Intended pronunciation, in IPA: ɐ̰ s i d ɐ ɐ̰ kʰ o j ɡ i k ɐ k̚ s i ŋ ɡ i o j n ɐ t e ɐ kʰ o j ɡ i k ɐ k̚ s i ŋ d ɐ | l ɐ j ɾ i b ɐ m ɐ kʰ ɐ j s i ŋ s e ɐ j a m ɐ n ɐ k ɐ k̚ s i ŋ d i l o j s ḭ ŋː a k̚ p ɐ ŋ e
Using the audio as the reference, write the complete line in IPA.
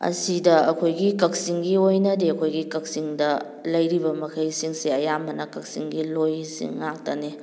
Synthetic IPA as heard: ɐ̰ s i d ɐ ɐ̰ kʰ o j ɡ i k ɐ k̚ s i ŋ ɡ i o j n ɐ d e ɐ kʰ o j ɡ i k ɐ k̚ s i ŋ d ɐ | l ɐ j ɾ i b ɐ m ɐ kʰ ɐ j s i ŋ s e ɐ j a m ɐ n ɐ k ɐ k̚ s i ŋ ɡ i l o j s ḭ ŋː a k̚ t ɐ n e

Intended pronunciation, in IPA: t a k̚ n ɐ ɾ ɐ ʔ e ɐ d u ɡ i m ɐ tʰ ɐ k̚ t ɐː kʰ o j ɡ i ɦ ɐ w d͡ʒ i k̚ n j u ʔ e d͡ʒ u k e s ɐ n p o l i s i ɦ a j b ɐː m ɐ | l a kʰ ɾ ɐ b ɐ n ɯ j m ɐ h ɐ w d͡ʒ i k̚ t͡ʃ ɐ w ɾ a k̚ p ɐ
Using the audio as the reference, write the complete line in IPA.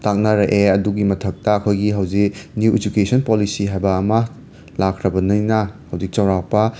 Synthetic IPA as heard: t a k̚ n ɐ ɾ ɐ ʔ e ɐ d u ɡ i m ɐ tʰ ɐ k̚ t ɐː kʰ o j ɡ i ɦ ɐ w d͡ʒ i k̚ n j u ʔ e d͡ʒ u k e s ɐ n p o l i s i ɦ a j b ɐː m ɐ | l a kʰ ɾ ɐ b ɐ n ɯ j n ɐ h ɐ w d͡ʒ i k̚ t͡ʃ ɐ w ɾ a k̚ p ɐ

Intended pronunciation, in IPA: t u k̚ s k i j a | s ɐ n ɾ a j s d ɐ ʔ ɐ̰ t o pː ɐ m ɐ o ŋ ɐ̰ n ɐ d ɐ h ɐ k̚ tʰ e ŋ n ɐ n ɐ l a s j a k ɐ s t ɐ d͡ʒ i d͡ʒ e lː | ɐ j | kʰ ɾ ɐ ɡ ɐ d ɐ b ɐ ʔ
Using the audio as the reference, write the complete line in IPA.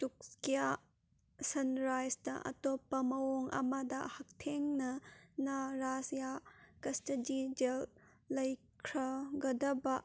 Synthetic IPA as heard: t u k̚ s k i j a | s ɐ n ɾ a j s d ɐ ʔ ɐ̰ t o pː ɐ m ɐ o ŋ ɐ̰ m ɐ d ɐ h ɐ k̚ tʰ e ŋ n ɐ n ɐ ɾ a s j a k ɐ s t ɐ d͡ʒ i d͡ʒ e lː | ɐ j | kʰ ɾ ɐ ɡ ɐ d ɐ b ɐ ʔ

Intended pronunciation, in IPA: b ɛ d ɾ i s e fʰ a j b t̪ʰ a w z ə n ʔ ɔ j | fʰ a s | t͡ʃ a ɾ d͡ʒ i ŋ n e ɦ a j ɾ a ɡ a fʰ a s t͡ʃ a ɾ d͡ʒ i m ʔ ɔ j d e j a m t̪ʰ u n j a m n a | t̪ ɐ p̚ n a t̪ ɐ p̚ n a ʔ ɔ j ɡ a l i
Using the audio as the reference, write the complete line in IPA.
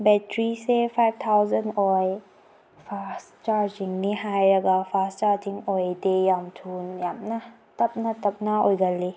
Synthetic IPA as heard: b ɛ t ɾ i s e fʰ a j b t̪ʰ a w z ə n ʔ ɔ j | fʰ a s | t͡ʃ a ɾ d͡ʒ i ŋ n i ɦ a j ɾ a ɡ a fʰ a s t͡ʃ a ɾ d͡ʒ i ŋ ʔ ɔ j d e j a m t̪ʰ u n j a m n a | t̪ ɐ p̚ n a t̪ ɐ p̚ n a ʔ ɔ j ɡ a l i

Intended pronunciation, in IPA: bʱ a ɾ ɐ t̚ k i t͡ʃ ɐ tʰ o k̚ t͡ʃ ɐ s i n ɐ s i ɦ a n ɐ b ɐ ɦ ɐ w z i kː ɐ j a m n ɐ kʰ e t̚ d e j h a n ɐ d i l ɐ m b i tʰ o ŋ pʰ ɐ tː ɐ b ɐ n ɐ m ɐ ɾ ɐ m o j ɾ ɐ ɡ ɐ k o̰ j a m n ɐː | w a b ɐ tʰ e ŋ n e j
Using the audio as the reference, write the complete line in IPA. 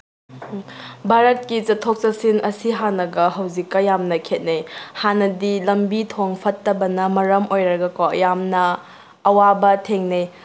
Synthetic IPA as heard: bʱ a ɾ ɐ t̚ k i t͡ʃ ɐ tʰ o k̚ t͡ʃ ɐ s i n ɐ s i ɦ a n ɐ ɡ ɐ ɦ ɐ w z i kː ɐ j a m n ɐ kʰ e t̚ n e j h a n ɐ d i l ɐ m b i tʰ o ŋ pʰ ɐ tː ɐ b ɐ n ɐ m ɐ ɾ ɐ m o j ɾ ɐ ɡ ɐ k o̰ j a m n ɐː | w a b ɐ tʰ e ŋ n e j

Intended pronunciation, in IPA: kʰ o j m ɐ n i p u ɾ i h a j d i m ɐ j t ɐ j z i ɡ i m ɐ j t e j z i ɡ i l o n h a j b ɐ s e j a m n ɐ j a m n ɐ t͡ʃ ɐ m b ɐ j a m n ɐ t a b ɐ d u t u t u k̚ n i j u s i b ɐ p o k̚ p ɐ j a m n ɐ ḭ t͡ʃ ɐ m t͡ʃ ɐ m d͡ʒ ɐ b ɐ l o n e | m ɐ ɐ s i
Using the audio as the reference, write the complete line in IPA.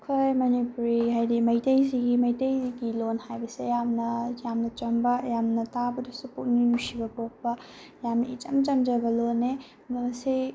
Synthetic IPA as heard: kʰ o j m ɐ n i p u ɾ i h a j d i m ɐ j t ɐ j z i ɡ i m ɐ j t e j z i ɡ i l o n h a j b ɐ s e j a m n ɐ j a m n ɐ t͡ʃ ɐ m b ɐ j a m n ɐ t a b ɐ d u s u p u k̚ n i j u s i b ɐ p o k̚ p ɐ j a m n ɐ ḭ t͡ʃ ɐ m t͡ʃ ɐ m d͡ʒ ɐ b ɐ l o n e | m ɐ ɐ s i

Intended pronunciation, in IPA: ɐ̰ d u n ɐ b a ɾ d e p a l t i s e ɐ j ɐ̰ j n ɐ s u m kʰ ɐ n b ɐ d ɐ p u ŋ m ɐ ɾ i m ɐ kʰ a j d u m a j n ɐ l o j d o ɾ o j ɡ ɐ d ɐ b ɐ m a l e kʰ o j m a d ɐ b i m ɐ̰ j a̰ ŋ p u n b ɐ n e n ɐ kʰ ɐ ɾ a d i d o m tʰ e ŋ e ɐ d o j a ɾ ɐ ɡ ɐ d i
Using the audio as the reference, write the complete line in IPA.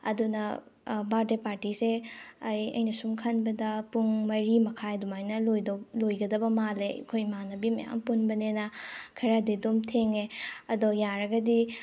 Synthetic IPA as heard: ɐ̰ d u n ɐ b a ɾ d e p a ɾ t i s e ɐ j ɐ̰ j n ɐ s u m kʰ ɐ n b ɐ d ɐ p u ŋ m ɐ ɾ i m ɐ kʰ a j d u m a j n ɐ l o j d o l o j ɡ ɐ d ɐ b ɐ m a l e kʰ o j m a n ɐ b i m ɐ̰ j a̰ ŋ p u n b ɐ n e n ɐ kʰ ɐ ɾ a d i d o m tʰ e ŋ e ɐ d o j a ɾ ɐ ɡ ɐ d i

